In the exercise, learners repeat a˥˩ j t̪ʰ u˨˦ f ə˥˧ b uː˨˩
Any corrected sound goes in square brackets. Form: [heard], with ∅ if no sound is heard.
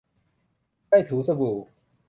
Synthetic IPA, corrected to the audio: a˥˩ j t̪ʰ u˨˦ [s] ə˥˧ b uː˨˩